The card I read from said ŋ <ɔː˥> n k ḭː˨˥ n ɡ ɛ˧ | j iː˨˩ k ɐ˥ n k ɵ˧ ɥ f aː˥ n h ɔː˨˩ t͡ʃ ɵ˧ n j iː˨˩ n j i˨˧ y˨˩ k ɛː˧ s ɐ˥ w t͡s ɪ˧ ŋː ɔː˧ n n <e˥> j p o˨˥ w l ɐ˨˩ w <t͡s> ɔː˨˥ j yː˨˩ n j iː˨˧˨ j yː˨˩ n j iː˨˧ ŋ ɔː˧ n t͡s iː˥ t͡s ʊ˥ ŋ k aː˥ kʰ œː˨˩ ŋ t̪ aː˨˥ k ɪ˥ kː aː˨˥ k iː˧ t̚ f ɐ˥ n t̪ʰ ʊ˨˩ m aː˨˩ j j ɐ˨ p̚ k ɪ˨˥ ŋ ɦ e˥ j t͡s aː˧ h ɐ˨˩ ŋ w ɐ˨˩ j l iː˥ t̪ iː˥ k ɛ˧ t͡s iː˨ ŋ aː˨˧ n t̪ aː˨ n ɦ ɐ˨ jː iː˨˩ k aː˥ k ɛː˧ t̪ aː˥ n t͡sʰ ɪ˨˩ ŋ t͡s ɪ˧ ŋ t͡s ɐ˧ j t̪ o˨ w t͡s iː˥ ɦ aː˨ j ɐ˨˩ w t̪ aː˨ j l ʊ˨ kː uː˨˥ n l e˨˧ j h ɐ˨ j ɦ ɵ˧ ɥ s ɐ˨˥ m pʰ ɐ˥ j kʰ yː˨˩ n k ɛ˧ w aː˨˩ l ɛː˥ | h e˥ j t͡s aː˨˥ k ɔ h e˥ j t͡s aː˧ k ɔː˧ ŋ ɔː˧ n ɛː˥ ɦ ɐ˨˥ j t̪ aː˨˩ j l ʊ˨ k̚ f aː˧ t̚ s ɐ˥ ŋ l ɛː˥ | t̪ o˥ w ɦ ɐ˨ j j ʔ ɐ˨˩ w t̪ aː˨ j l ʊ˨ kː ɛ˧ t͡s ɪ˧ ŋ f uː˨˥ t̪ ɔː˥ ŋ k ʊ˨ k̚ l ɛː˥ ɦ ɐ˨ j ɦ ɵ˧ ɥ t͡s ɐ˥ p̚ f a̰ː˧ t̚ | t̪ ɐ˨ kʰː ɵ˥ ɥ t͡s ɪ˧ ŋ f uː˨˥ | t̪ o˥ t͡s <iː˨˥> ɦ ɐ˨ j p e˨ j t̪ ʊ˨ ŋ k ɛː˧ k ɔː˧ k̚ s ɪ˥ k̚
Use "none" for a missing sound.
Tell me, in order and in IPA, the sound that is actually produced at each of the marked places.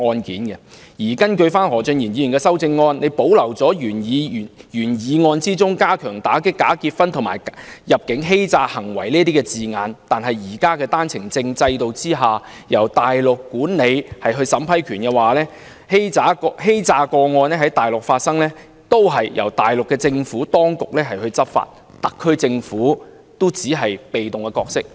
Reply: ɔː˧, e˨˧, t͡s, iː˨˥

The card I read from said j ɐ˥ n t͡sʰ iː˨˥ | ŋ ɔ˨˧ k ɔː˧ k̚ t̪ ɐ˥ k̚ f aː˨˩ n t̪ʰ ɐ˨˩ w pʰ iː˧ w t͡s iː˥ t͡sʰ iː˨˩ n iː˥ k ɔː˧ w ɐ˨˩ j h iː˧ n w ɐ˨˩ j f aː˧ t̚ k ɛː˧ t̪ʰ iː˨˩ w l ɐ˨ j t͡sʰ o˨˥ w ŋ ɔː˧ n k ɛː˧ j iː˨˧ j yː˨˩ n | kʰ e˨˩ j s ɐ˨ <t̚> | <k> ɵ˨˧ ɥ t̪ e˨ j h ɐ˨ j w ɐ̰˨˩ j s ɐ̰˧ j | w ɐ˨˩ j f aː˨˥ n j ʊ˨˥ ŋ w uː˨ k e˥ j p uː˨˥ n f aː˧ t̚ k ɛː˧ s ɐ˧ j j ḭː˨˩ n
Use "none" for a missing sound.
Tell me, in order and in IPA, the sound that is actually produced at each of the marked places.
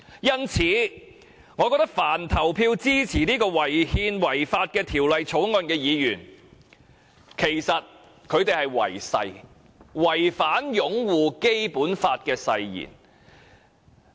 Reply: t̚, kʰ

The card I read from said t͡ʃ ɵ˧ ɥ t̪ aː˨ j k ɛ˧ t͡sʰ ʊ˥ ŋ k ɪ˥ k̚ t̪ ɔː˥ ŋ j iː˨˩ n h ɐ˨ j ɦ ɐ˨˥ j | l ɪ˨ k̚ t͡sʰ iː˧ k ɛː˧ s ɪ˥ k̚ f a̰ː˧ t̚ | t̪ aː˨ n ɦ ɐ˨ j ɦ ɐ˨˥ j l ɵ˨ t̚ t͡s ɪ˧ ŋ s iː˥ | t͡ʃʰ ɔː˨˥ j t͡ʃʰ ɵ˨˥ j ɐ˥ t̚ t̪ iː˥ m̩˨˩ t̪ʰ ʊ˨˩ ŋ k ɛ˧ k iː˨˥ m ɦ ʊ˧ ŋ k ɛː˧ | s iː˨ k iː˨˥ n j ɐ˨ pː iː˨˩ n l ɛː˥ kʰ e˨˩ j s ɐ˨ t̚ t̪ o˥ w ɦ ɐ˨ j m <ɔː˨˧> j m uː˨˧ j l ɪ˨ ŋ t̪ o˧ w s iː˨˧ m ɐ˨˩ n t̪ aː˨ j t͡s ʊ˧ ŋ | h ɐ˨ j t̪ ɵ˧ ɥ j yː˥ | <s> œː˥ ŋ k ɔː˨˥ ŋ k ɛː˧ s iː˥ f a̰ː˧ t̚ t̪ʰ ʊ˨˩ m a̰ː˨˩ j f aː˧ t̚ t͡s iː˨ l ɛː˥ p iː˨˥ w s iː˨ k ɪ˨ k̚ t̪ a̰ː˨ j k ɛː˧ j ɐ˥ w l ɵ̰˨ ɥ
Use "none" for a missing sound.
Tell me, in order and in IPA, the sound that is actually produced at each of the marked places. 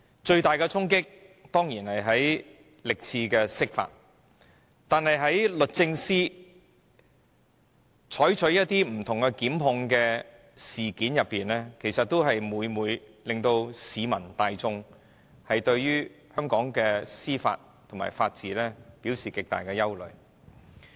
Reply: uː˨˧, h

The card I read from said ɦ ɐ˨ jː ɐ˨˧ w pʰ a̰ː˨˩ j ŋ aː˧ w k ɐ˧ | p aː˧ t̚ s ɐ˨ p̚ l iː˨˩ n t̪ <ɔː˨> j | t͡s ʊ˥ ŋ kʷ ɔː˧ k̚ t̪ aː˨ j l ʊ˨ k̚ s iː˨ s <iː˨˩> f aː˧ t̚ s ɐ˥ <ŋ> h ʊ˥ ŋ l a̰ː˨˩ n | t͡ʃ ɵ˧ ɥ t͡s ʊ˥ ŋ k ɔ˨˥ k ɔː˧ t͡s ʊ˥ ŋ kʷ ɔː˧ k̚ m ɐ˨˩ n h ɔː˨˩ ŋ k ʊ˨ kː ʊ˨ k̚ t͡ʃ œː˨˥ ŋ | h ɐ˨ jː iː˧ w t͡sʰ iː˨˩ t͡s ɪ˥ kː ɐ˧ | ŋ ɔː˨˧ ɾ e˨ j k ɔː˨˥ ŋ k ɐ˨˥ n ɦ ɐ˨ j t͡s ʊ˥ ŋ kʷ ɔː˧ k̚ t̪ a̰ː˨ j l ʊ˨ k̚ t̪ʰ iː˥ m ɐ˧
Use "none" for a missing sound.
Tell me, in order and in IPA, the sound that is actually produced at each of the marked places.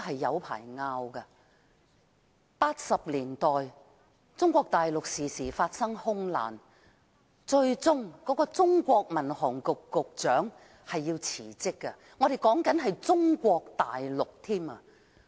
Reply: ɔː˨, iː˨˩, ŋ

